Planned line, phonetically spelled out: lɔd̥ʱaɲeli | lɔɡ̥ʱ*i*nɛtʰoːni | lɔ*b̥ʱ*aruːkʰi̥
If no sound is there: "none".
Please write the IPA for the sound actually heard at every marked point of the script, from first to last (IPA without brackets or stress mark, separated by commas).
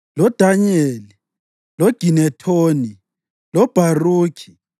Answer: i, b̥ʱ